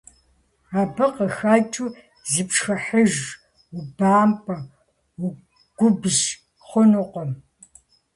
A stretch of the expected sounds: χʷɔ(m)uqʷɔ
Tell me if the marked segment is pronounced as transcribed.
no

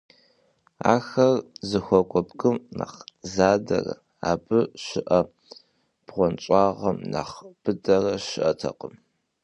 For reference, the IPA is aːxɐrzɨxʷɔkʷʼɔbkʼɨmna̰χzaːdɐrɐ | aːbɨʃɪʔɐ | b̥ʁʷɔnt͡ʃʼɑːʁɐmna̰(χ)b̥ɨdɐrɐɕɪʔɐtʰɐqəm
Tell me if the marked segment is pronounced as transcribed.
yes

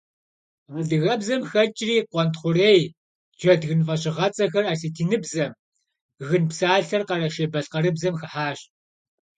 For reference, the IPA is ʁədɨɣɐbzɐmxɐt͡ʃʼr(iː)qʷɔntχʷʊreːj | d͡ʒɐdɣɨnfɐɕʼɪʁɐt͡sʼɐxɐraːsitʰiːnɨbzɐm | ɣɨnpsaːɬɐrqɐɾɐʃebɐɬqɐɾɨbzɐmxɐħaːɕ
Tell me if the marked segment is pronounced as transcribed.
yes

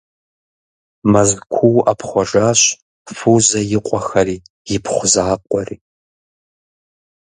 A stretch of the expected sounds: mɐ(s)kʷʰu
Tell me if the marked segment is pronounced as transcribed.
no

